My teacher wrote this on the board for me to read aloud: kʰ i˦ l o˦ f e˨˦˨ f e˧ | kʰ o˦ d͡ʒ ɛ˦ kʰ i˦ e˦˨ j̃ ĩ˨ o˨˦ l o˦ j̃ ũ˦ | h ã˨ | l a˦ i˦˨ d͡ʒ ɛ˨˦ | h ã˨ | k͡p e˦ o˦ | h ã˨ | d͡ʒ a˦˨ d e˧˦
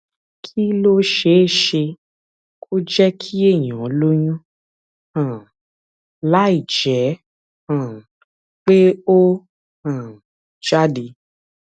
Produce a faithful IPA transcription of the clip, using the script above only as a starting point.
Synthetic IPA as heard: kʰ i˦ l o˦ ʃ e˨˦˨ ʃ e˧ | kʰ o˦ d͡ʒ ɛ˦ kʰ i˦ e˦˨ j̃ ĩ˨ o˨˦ l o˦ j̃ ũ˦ | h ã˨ | l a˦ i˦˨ d͡ʒ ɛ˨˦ | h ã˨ | k͡p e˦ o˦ | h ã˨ | d͡ʒ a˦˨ d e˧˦